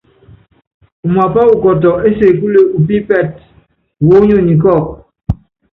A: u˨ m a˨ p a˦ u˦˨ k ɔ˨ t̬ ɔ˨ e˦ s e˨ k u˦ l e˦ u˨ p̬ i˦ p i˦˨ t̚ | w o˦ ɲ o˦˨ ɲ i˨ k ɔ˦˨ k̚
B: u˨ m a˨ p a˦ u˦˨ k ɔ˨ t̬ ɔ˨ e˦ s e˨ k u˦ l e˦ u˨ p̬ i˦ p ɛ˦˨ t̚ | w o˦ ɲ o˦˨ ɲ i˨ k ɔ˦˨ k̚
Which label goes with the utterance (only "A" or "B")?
B